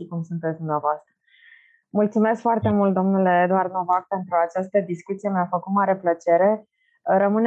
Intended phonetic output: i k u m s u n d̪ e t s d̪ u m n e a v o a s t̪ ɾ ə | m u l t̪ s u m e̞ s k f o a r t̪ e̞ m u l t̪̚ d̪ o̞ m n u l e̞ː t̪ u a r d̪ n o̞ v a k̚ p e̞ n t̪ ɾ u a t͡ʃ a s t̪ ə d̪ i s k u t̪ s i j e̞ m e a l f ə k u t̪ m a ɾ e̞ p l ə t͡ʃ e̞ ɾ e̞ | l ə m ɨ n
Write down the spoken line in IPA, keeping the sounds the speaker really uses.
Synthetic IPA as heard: i k u m s u n t̪ e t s d̪ u m n e a v o a s t̪ ɾ ə | m u l t̪ s u m e̞ s k f o a r t̪ e̞ m u l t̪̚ d̪ o̞ m n u l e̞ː d̪ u a r d̪ n o̞ v a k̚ p e̞ n t̪ ɾ u a t͡ʃ a s t̪ ə d̪ i s k u t̪ s i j e̞ m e a f ə k u t̪ m a ɾ e̞ p l ə t͡ʃ e̞ ɾ e̞ | ɾ ə m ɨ n